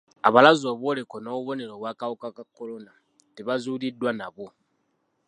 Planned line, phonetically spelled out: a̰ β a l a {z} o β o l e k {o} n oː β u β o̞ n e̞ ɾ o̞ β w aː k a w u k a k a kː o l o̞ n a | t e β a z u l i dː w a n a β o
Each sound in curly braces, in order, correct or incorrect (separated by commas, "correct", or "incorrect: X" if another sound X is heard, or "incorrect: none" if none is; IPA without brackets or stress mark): correct, correct